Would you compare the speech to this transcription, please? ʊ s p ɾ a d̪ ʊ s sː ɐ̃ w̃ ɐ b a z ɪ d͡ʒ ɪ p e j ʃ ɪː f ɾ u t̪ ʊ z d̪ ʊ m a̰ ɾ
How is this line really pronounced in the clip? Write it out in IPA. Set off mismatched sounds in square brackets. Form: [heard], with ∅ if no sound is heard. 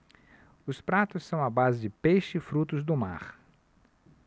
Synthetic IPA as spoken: ʊ s p ɾ a [t̪] ʊ s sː ɐ̃ w̃ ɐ b a z ɪ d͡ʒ ɪ p e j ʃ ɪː f ɾ u t̪ ʊ z d̪ ʊ m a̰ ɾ